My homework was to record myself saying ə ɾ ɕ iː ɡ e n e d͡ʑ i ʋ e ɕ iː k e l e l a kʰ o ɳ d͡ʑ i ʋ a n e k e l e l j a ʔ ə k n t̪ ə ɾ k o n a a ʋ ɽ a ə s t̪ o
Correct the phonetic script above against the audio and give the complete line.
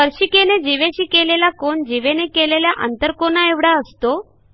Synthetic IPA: ə ɾ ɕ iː k e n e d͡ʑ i ʋ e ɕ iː k e l e l a k o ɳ d͡ʑ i ʋ e n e k e l e l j a ʔ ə n t̪ ə ɾ k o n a e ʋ ɽ a ə s t̪ o